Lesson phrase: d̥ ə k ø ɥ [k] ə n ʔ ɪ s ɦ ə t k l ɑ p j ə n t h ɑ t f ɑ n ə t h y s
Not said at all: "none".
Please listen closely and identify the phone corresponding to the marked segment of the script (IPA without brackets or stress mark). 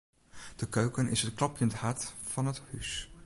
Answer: k